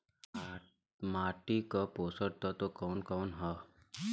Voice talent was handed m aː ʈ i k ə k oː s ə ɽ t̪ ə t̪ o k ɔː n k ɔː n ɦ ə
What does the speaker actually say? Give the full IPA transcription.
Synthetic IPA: m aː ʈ i k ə p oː s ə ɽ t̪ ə t̪ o k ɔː n k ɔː n ɦ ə